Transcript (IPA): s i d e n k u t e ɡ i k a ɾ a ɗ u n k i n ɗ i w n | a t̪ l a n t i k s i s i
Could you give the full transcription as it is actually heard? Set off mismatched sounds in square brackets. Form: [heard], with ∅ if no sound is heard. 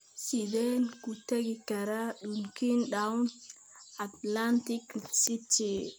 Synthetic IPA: s i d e n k u t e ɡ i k a ɾ a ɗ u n k i n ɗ [a] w n | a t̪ l a n t i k s i [t] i